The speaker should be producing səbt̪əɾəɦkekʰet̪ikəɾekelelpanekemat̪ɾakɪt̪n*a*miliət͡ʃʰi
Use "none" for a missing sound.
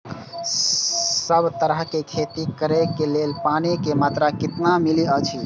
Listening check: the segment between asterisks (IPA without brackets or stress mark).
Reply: a